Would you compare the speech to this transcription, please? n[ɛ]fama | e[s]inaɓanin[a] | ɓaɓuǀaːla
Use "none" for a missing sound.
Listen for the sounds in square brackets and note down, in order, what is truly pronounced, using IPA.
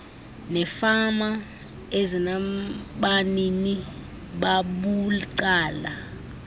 ɛ, z, i

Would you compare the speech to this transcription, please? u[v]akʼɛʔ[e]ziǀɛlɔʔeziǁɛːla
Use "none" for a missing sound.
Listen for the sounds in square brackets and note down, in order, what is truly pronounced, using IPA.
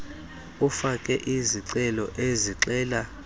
f, i

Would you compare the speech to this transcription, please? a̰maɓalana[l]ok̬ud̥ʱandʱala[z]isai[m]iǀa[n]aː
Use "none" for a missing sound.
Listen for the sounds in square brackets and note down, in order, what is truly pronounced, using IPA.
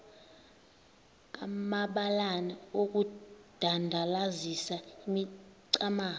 none, z, m, m

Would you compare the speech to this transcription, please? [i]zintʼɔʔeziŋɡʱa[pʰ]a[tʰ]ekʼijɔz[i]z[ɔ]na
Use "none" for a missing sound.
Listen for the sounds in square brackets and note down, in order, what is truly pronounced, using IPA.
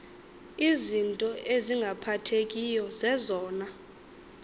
i, pʰ, tʰ, ɛ, ɔː

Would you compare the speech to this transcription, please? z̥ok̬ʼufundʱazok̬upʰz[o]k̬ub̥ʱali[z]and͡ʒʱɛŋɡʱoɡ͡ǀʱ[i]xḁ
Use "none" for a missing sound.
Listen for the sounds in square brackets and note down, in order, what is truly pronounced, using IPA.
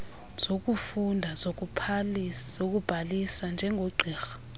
o, s, iː

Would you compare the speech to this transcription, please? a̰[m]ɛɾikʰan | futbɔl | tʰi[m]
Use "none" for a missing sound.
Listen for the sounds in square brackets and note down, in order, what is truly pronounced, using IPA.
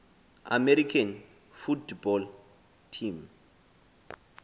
m, m

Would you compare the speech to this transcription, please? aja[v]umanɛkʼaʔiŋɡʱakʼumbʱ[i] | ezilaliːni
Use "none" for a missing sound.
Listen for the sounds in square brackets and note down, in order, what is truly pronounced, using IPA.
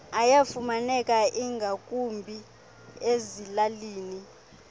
f, i

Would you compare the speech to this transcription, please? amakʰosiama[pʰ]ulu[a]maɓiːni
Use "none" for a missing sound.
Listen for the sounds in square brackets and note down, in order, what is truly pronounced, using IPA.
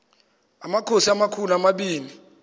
kʰ, a

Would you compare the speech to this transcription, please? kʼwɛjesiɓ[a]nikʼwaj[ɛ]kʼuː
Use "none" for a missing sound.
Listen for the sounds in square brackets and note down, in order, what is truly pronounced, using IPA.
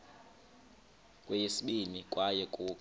i, ɛ

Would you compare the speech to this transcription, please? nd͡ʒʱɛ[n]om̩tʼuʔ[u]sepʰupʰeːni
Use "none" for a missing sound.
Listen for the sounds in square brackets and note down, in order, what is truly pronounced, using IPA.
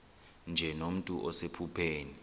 n, ɔ

